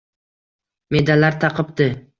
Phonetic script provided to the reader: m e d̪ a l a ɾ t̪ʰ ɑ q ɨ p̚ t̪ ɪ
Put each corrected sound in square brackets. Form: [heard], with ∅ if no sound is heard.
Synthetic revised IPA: m e d̪ a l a ɾ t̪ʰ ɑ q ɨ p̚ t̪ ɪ